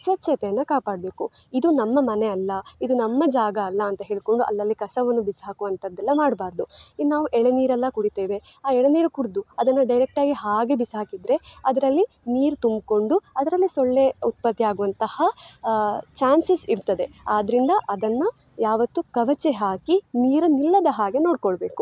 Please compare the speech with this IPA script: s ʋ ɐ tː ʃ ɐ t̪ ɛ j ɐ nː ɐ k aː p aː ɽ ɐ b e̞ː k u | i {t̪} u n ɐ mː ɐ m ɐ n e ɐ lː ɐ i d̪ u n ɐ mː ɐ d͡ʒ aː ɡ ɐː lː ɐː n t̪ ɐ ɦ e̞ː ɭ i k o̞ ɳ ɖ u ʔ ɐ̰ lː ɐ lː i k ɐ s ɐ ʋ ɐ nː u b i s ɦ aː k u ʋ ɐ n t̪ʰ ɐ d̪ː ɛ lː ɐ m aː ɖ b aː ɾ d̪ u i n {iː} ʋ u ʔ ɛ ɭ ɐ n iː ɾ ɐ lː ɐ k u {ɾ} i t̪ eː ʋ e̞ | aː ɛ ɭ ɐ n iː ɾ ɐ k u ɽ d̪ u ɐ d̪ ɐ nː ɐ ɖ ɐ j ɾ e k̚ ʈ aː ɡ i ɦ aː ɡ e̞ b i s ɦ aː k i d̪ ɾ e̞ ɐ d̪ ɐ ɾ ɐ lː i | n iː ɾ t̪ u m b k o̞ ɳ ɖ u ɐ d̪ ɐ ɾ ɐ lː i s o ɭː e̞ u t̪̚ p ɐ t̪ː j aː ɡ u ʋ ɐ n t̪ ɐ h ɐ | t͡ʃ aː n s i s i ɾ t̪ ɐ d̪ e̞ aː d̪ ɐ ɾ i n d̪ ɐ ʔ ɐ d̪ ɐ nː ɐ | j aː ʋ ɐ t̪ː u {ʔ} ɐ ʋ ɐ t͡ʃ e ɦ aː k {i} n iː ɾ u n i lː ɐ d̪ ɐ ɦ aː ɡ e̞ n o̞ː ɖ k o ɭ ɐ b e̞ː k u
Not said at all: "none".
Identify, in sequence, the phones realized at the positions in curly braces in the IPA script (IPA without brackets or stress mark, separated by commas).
d̪, aː, ɽ, k, i